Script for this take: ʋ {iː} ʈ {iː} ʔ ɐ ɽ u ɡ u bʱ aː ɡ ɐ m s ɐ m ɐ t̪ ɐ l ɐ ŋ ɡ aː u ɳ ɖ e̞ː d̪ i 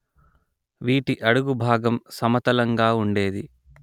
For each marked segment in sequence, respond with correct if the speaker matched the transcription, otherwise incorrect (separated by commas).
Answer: correct, incorrect